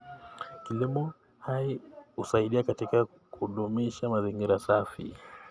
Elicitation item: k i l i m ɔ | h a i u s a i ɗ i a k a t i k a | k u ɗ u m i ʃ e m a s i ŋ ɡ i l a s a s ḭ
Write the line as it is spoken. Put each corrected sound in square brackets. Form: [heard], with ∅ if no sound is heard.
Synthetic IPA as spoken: k i l i m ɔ | h a i u s a i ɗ i a k a t i k a | k u ɗ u m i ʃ [a] m a [z] i ŋ ɡ i [ɾ] a s a [f] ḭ